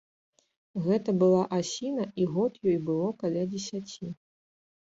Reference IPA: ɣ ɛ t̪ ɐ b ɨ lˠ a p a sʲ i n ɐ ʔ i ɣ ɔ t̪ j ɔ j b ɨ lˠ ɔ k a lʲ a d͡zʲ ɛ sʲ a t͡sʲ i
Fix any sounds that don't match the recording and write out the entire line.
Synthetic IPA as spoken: ɣ ɛ t̪ ɐ b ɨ lˠ a ʔ a sʲ i n ɐ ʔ i ɣ ɔ t̪ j ɔ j b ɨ lˠ ɔ k a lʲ a d͡zʲ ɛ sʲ a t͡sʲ i